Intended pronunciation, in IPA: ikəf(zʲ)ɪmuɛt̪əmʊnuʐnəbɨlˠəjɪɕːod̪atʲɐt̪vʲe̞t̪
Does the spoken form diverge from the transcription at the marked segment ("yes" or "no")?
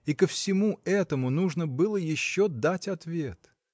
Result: yes